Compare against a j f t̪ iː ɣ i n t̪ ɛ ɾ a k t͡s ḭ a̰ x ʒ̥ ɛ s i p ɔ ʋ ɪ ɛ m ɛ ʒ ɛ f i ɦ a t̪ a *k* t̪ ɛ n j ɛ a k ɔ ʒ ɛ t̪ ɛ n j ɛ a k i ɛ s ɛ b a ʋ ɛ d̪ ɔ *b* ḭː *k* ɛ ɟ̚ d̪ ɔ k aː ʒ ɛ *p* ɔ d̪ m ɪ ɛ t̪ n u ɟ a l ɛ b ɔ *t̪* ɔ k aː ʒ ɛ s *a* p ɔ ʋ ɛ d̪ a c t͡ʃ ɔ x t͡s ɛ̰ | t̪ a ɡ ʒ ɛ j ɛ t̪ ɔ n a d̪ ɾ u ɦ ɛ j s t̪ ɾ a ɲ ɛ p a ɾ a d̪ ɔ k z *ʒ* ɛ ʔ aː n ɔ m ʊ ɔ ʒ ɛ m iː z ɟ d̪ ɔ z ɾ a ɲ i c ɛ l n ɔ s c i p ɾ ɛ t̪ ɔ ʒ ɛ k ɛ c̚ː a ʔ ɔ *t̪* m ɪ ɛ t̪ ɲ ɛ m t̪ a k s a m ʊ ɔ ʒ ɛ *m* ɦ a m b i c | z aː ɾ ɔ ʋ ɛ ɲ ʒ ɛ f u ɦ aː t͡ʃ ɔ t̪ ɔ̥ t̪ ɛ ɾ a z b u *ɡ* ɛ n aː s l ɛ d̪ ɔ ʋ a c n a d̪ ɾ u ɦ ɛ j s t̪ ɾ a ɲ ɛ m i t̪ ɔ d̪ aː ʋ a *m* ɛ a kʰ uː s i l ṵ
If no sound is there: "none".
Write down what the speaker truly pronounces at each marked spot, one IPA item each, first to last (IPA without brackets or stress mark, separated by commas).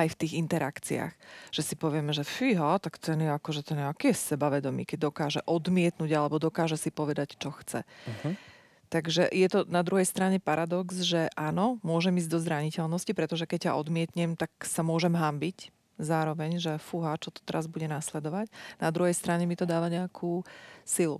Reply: k, m, k, ʔ, d̪, i, ʒ, d̪, m, ɟ, ɲ